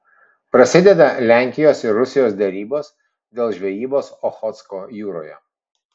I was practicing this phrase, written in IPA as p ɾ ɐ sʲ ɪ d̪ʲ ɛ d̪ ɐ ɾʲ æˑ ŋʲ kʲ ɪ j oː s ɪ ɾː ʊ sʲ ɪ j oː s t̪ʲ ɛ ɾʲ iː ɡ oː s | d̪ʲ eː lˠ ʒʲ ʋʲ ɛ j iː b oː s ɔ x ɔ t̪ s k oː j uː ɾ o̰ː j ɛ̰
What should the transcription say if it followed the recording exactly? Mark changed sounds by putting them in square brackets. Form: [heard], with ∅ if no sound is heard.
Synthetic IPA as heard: p ɾ ɐ sʲ ɪ d̪ʲ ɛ d̪ ɐ [lʲ] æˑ ŋʲ kʲ ɪ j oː s ɪ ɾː ʊ sʲ ɪ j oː s [d̪ʲ] ɛ ɾʲ iː [b] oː s | d̪ʲ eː lˠ ʒʲ ʋʲ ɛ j iː b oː s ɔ x ɔ t̪ s k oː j uː ɾ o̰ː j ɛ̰